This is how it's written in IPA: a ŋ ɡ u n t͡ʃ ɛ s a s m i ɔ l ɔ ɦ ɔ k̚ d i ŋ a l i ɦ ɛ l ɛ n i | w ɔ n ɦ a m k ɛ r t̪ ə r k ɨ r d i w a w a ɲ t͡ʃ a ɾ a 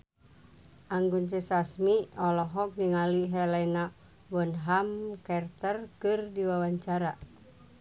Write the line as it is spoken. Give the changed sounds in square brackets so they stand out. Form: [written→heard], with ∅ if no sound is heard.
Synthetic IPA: a ŋ ɡ u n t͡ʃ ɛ s a s m i ɔ l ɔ ɦ ɔ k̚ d i ŋ a l i ɦ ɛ l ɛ n [i→a] | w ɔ n ɦ a m k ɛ r t̪ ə r k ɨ r d i w a w a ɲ t͡ʃ a ɾ a